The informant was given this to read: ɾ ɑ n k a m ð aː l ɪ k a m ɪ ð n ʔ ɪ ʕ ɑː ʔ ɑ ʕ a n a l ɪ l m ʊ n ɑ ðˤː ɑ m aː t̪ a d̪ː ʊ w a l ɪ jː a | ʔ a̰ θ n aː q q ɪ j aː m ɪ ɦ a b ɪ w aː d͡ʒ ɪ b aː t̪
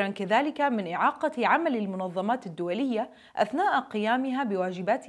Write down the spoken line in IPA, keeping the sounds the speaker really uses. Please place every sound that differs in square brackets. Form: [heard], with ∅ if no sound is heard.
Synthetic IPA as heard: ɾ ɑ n k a [∅] ð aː l ɪ k a m ɪ [∅] n ʔ ɪ ʕ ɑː [q] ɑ ʕ a [m] a l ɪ l m ʊ n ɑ ðˤː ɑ m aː t̪ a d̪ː ʊ w a l ɪ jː a | ʔ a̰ θ n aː [ʔ] q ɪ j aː m ɪ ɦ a b ɪ w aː d͡ʒ ɪ b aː t̪